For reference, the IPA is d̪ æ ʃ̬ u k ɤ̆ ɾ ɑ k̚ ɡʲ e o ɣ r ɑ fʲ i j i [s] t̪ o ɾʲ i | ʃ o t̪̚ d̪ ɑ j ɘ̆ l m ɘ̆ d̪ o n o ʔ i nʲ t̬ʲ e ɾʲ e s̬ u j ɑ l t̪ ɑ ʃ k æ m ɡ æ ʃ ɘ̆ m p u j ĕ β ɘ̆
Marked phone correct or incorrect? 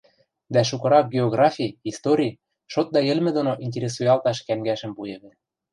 correct